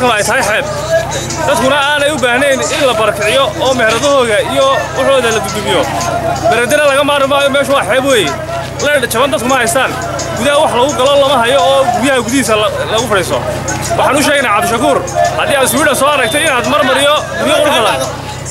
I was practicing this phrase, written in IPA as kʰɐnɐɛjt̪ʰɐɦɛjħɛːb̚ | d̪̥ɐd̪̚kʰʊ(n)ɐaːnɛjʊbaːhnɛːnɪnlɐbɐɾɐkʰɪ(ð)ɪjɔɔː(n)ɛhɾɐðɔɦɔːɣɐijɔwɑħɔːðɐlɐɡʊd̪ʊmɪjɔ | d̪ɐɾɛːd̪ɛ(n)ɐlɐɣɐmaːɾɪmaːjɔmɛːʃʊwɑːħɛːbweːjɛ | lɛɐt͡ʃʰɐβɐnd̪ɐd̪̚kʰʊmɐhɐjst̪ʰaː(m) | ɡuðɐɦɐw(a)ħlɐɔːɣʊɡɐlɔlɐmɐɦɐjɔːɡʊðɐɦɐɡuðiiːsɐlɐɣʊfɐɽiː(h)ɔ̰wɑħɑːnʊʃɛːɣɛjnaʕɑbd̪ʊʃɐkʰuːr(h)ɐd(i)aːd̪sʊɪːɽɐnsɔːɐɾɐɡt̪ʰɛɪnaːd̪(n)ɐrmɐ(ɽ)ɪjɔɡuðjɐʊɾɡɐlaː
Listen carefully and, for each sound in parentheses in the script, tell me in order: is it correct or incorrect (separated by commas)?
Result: correct, incorrect, incorrect, correct, incorrect, incorrect, incorrect, correct, incorrect, incorrect, incorrect